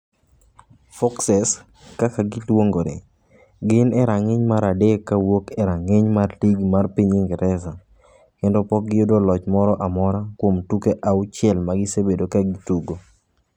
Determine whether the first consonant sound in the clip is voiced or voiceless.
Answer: voiceless